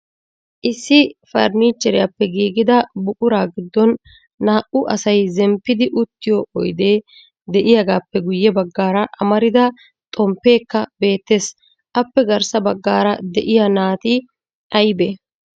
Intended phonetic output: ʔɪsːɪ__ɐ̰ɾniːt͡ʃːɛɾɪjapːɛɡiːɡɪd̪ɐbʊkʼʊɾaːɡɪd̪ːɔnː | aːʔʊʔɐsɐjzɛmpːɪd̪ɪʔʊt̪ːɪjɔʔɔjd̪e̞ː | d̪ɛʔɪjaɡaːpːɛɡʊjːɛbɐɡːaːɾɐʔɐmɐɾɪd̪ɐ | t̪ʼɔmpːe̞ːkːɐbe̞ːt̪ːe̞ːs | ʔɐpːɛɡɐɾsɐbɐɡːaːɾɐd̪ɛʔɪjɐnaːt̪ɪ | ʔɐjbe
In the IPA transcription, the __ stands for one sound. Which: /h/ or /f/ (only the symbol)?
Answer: f